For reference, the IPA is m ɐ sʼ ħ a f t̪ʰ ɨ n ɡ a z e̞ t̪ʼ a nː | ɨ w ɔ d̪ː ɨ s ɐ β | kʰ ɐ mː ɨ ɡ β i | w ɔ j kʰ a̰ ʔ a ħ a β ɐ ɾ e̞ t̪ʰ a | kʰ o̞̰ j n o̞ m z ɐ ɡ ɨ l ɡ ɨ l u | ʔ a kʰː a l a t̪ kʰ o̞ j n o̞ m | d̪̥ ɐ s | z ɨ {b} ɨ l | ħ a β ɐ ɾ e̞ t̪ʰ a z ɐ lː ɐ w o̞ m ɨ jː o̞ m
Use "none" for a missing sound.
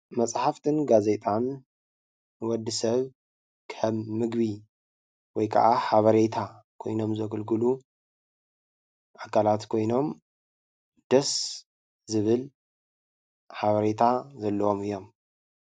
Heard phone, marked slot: β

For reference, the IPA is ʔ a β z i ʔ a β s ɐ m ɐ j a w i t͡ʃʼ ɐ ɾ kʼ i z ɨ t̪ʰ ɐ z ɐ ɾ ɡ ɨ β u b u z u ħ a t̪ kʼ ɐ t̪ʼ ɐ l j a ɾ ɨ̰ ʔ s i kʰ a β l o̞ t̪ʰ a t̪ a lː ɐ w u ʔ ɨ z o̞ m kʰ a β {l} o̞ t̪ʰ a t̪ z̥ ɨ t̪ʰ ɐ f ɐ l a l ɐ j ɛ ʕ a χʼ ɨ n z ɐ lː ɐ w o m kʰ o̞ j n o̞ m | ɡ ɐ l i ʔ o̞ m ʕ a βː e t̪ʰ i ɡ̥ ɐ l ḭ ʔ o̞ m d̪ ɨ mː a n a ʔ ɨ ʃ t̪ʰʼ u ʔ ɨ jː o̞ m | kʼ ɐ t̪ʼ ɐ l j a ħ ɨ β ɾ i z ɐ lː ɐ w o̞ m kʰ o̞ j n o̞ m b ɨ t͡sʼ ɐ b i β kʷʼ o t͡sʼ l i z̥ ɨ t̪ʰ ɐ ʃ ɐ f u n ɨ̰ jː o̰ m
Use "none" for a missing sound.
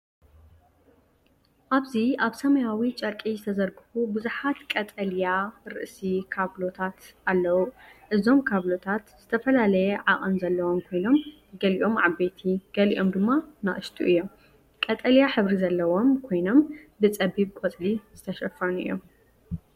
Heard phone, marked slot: l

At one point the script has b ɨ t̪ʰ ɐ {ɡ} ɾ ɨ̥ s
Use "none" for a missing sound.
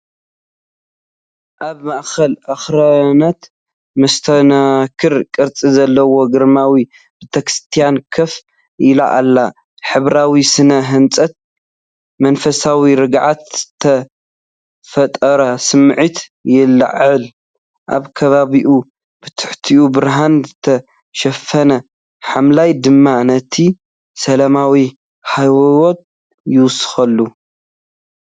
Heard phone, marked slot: k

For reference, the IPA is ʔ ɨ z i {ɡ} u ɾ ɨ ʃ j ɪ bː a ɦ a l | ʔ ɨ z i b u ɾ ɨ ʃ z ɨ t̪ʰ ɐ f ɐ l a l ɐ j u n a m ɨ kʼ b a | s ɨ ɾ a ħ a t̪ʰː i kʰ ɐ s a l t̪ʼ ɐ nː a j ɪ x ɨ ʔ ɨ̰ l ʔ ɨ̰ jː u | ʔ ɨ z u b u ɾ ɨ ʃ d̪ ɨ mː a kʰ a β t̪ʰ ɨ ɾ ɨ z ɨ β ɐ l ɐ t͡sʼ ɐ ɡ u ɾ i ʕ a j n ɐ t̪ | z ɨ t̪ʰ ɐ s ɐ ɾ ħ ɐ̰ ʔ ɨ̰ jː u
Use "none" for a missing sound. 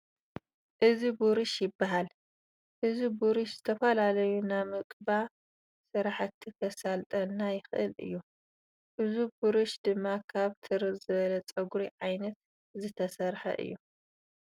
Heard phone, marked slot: b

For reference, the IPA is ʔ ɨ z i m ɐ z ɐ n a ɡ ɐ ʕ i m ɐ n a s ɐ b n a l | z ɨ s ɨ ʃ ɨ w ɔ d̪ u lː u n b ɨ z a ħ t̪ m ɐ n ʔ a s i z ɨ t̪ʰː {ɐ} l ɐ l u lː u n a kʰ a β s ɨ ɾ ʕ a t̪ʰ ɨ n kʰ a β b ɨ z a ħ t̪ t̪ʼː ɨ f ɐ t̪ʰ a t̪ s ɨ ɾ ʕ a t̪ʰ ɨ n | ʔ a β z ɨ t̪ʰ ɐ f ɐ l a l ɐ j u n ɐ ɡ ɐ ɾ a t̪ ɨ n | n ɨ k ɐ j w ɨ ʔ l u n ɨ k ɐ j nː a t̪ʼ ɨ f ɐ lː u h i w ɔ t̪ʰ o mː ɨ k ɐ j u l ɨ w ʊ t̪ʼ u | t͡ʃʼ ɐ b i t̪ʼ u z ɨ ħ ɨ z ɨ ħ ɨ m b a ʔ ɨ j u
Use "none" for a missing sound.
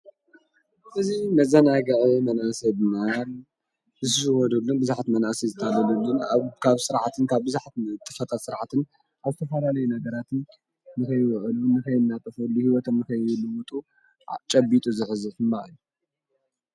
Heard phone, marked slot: a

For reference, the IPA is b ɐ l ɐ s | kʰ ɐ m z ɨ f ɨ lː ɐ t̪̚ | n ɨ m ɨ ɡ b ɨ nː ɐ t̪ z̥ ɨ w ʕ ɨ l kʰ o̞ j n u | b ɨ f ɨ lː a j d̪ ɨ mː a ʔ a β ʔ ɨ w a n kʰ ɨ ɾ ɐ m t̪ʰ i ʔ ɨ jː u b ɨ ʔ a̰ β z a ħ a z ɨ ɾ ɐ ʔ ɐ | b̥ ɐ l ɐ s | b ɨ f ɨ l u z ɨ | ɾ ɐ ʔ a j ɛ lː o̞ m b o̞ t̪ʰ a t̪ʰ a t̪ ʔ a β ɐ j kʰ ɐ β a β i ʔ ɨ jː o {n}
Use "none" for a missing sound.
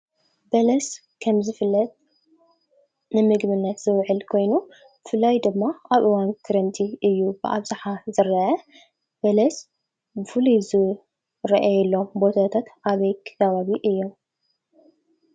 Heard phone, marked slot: m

